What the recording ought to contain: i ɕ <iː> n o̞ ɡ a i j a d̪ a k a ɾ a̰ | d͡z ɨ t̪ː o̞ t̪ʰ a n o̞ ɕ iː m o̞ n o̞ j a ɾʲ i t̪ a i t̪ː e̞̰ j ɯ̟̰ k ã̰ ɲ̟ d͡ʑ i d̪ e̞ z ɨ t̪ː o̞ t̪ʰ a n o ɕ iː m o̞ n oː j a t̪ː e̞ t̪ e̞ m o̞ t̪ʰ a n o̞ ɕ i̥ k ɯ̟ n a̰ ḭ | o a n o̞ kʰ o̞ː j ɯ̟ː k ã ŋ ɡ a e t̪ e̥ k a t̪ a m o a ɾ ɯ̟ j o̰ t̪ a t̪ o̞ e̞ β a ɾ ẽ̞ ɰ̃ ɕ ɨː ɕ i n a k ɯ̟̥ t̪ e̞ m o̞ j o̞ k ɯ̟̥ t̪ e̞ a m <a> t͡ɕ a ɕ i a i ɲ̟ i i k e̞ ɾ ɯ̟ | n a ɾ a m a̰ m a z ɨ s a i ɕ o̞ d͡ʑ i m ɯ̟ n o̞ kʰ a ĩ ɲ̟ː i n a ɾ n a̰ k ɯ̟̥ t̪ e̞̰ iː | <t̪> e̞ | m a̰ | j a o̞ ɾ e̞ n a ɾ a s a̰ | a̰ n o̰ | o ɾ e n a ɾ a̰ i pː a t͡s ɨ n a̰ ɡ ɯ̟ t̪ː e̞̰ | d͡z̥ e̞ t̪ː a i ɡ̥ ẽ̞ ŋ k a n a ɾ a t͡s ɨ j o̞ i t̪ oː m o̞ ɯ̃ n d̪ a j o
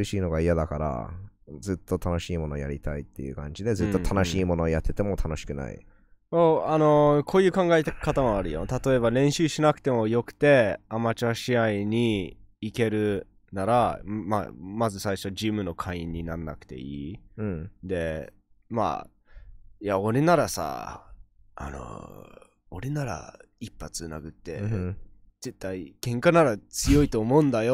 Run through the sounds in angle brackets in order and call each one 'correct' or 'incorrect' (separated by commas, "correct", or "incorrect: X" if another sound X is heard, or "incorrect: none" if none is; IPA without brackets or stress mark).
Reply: correct, correct, incorrect: d̪